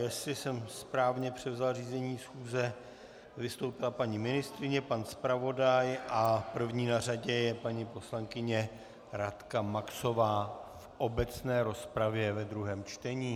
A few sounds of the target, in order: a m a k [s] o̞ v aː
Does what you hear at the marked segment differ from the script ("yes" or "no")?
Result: no